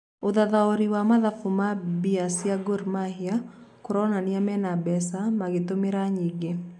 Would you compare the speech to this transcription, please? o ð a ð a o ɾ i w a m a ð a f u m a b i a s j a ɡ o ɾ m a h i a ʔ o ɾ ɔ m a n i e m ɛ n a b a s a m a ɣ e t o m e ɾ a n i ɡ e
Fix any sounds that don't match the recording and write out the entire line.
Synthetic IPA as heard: o ð a ð a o ɾ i w a m a ð a f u m a b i a s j a ɡ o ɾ m a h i a k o ɾ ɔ n a n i a m ɛ n a b ɛ s a m a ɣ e t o m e ɾ a ɲ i ɡ e